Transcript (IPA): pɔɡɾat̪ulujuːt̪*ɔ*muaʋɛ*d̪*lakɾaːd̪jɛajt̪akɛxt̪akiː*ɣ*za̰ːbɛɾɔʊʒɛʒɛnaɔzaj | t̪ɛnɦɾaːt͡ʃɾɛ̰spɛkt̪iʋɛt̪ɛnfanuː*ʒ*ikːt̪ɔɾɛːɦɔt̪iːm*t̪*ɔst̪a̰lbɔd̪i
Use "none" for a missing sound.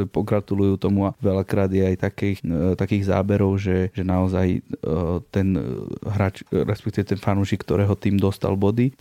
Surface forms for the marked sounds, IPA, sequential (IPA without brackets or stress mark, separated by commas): ɔ, none, ɣ, ʃ, d̪